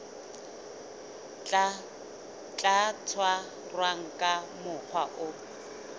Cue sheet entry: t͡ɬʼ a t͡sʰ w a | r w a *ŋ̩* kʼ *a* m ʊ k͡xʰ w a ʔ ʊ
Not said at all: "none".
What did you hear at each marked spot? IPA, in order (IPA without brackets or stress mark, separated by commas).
ŋ̩, a